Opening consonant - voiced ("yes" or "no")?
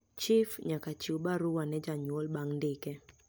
no